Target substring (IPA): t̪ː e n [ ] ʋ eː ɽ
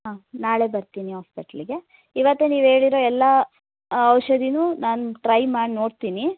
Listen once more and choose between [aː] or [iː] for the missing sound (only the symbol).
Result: iː